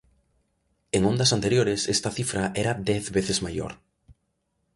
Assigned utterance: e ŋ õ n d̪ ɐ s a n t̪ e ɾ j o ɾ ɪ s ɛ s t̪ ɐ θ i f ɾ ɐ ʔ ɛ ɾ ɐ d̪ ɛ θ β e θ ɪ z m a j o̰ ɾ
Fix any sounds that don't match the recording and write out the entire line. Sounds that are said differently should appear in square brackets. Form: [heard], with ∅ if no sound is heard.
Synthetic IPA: e ŋ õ n d̪ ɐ s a n t̪ e ɾ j o ɾ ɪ s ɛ s t̪ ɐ θ i f ɾ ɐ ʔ ɛ ɾ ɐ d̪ ɛ θ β e θ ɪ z m a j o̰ ɾ